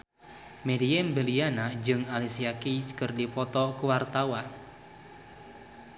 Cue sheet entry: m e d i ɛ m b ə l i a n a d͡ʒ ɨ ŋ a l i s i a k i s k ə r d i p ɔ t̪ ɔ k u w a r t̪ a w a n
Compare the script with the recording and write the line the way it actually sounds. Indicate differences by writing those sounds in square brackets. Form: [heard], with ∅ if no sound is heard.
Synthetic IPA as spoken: m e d i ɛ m b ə l i a n a d͡ʒ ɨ ŋ a l i s i a k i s k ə r d i p ɔ t̪ ɔ k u w a r t̪ a w a n

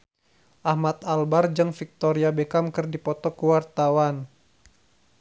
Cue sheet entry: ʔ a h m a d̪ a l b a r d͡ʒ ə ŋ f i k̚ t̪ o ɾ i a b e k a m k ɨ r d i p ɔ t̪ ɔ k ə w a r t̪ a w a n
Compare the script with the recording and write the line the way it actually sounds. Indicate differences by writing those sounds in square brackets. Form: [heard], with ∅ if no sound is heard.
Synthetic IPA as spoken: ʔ a h m a [t̪] a l b a r d͡ʒ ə ŋ f i k̚ t̪ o ɾ i a b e k a m k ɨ r d i p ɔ t̪ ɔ k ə w a r t̪ a w a n

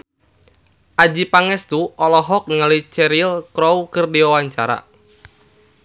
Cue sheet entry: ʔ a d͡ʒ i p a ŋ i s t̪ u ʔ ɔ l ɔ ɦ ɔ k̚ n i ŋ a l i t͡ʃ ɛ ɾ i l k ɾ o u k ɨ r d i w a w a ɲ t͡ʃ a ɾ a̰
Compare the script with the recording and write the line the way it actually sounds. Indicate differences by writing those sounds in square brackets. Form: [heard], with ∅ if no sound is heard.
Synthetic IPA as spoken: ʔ a d͡ʒ i p a ŋ [ɛ] s t̪ u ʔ ɔ l ɔ ɦ ɔ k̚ n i ŋ a l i t͡ʃ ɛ ɾ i l k ɾ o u k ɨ r d i w a w a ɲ t͡ʃ a ɾ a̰

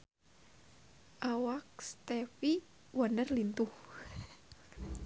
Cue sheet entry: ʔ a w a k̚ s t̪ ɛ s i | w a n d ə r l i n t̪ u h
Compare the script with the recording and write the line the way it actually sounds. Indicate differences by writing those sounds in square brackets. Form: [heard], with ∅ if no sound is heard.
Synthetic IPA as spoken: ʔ a w a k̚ s t̪ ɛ [f] i | w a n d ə r l i n t̪ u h

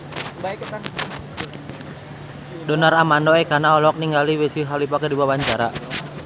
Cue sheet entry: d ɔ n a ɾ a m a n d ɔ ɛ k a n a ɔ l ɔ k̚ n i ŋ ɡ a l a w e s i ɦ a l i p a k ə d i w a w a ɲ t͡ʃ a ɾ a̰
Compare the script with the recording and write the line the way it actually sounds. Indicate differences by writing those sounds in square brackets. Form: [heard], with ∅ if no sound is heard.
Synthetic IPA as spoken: d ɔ n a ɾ a m a n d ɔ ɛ k a n a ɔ l ɔ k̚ n i ŋ ɡ a l [i] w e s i ɦ a l i p a k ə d i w a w a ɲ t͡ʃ a ɾ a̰

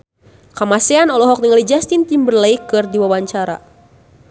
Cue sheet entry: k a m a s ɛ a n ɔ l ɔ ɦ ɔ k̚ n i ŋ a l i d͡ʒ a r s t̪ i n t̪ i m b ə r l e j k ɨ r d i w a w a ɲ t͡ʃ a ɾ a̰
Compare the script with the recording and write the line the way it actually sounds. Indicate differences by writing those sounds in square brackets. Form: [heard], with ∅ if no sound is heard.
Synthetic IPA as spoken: k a m a s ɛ a n ɔ l ɔ ɦ ɔ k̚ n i ŋ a l i d͡ʒ a [∅] s t̪ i n t̪ i m b ə r l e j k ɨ r d i w a w a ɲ t͡ʃ a ɾ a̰

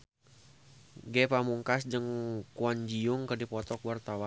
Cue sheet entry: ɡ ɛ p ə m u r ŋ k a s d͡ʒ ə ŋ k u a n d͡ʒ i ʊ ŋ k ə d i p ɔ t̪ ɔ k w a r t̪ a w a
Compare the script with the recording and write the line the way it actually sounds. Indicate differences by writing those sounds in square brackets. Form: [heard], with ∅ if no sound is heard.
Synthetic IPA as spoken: ɡ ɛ p [a] m u [∅] ŋ k a s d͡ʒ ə ŋ k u a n d͡ʒ i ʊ ŋ k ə d i p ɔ t̪ ɔ k w a r t̪ a w a

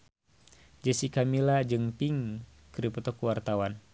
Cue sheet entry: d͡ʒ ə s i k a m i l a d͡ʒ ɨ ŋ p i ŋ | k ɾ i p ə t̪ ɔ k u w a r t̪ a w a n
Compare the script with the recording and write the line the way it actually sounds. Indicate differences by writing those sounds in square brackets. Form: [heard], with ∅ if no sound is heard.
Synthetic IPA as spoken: d͡ʒ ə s i k a m i l a d͡ʒ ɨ ŋ p i ŋ | k ɾ i p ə t̪ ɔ k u w a r t̪ a w a n

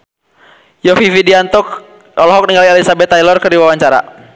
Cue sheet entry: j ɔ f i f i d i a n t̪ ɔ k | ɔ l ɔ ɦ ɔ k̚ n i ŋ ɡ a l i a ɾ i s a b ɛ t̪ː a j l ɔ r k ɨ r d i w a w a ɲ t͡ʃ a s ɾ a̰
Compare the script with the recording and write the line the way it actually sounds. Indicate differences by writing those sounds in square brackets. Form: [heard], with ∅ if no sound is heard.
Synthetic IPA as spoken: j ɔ f i f i d i a n t̪ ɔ k | ɔ l ɔ ɦ ɔ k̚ n i ŋ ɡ a l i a [l] i s a b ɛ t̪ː a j l ɔ r k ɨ r d i w a w a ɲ t͡ʃ a [∅] ɾ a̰

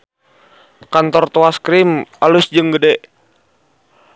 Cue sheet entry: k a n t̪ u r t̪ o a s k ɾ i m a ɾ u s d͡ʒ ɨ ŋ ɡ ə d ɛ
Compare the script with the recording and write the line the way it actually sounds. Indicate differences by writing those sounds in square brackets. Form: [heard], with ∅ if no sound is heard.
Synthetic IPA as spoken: k a n t̪ [ɔ] r t̪ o a s k ɾ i m a [l] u s d͡ʒ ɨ ŋ ɡ ə d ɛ

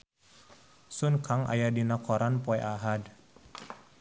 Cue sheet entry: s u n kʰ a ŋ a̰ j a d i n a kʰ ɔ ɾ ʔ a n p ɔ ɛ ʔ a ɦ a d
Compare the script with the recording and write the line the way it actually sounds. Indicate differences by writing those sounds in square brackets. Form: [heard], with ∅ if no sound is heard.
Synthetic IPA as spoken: s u n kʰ a ŋ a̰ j a d i n a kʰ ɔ ɾ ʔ a n p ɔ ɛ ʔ a ɦ a d

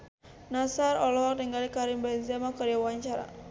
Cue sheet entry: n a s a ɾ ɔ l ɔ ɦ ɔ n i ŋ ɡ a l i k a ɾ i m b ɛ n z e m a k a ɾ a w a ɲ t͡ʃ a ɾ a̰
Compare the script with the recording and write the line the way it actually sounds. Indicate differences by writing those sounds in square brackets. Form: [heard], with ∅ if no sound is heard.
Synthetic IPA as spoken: n a s a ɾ ɔ l ɔ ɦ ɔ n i ŋ ɡ a l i k a ɾ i m b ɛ n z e m a k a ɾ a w a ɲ t͡ʃ a ɾ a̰

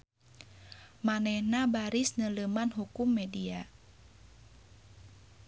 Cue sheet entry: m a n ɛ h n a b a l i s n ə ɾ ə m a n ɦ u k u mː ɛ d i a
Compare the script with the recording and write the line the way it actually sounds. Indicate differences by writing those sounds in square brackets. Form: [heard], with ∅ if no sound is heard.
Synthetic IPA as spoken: m a n ɛ h n a b a [ɾ] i s n ə [l] ə m a n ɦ u k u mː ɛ d i a

